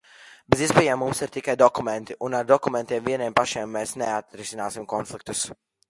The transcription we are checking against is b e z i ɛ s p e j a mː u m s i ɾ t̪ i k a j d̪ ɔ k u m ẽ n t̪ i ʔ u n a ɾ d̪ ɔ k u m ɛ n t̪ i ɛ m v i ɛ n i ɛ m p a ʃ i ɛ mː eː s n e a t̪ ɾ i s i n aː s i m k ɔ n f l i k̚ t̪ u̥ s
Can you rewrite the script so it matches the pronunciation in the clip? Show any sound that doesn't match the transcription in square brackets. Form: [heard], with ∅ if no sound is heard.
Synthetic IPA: b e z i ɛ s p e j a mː u m s i ɾ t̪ i k a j d̪ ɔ k u m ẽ n t̪ i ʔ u n a ɾ d̪ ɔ k u m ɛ n t̪ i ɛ m v i ɛ n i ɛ m p a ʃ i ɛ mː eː s n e a t̪ ɾ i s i n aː s i m k ɔ n f l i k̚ t̪ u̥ s